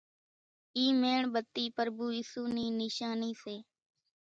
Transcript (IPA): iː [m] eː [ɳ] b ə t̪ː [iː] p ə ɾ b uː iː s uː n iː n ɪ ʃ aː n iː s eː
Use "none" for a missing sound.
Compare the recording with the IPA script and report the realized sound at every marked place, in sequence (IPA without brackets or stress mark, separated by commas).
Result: m, ɳ, iː